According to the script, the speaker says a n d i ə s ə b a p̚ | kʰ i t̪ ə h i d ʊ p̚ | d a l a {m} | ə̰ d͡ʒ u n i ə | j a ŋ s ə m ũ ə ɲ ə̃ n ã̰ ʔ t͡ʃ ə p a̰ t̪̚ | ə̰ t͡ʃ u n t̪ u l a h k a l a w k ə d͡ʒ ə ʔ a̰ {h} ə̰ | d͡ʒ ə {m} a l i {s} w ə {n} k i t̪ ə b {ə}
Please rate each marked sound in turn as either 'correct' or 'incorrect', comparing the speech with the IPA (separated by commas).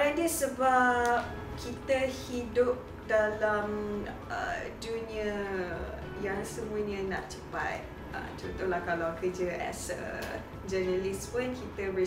correct, incorrect, incorrect, correct, correct, correct